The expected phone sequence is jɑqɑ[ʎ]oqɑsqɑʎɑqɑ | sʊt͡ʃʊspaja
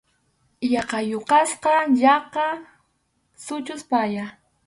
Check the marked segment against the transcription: incorrect: j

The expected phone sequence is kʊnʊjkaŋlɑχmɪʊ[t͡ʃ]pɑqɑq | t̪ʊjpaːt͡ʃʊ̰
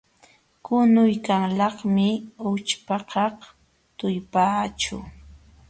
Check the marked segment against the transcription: correct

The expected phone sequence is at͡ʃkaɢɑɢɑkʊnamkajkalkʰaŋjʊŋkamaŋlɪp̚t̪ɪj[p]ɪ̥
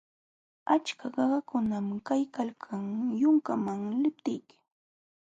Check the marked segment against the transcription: incorrect: k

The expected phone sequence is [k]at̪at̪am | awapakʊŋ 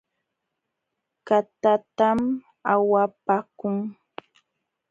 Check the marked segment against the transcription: correct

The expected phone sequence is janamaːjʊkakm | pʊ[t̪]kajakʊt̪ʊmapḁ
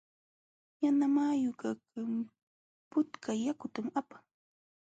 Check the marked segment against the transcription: correct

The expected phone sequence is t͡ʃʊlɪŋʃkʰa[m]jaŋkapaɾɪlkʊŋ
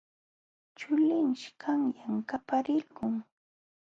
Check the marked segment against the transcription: incorrect: ŋ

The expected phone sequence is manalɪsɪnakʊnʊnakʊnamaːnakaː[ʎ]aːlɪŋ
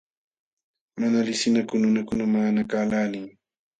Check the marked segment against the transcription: incorrect: l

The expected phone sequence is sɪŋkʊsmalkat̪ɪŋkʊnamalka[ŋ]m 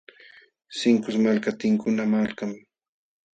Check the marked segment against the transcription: incorrect: none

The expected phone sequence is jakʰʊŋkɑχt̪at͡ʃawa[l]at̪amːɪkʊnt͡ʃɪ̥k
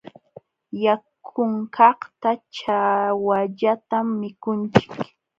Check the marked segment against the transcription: incorrect: ʎ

